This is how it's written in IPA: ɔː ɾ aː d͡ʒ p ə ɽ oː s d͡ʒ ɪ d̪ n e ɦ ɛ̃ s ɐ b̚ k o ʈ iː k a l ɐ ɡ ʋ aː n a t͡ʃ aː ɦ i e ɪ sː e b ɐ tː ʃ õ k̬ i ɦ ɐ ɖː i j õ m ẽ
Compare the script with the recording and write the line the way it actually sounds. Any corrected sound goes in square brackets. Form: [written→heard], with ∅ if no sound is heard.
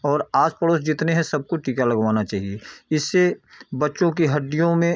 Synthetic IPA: ɔː ɾ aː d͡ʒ p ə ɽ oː s d͡ʒ ɪ [d̪→t̪] n e ɦ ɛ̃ s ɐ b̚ k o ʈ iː k a l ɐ ɡ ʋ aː n a t͡ʃ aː ɦ i e ɪ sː e b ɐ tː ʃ õ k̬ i ɦ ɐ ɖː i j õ m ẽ